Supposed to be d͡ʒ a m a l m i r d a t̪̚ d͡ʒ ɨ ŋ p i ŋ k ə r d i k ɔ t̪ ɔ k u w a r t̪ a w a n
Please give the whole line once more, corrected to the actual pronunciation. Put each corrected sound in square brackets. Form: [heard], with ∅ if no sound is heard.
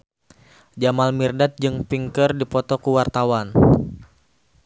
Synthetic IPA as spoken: d͡ʒ a m a l m i r d a t̪̚ d͡ʒ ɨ ŋ p i ŋ k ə r d i [p] ɔ t̪ ɔ k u w a r t̪ a w a n